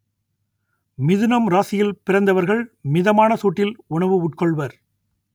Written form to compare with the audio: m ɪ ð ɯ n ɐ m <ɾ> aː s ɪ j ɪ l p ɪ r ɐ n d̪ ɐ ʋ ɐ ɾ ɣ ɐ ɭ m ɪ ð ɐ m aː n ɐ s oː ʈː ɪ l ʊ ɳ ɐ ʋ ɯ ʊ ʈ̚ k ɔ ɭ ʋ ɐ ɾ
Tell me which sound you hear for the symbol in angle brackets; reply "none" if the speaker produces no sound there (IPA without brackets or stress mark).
ɾ